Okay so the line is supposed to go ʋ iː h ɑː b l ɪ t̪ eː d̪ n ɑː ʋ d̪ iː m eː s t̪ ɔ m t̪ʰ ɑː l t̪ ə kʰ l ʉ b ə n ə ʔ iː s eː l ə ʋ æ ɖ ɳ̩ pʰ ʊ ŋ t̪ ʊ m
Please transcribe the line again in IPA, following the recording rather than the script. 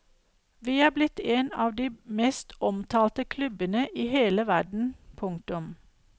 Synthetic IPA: ʋ iː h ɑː b l ɪ t̪ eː n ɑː ʋ d̪ iː m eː s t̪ ɔ m t̪ʰ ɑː l t̪ ə kʰ l ʉ b ə n ə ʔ iː h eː l ə ʋ æ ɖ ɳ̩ pʰ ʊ ŋ t̪ ʊ m